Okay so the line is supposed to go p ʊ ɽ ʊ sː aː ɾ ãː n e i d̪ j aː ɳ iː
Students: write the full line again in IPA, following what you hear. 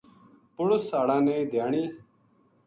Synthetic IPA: p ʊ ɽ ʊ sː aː ɽ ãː n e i d̪ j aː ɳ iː